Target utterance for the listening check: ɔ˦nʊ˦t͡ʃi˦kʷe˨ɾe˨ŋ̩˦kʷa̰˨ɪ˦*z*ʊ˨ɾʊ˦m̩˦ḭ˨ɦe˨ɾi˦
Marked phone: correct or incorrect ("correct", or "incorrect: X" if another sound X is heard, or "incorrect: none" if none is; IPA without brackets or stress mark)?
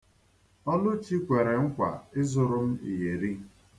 correct